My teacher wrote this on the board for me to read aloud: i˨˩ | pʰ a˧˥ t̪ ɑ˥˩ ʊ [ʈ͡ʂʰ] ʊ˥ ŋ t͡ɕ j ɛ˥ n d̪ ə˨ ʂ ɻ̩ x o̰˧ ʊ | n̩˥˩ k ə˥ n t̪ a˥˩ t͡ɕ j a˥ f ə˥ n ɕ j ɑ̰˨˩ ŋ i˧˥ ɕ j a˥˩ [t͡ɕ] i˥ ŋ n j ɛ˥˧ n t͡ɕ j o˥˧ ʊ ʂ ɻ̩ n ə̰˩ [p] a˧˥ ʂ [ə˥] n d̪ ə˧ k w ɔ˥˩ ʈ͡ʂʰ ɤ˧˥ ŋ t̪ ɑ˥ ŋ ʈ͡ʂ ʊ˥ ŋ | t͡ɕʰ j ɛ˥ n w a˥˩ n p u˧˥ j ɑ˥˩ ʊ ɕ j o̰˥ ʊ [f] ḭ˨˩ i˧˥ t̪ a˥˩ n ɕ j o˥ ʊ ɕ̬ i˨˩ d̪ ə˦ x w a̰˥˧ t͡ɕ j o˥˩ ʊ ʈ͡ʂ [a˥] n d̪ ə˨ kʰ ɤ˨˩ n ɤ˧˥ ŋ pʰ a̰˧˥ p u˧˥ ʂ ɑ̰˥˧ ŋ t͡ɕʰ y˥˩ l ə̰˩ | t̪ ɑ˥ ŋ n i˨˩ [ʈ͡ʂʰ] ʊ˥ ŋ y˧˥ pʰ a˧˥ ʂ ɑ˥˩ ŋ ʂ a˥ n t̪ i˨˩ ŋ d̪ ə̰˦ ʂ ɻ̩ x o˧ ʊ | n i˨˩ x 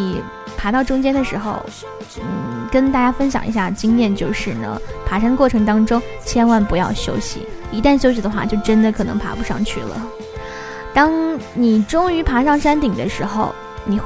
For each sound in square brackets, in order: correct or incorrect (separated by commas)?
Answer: incorrect, correct, incorrect, incorrect, incorrect, incorrect, incorrect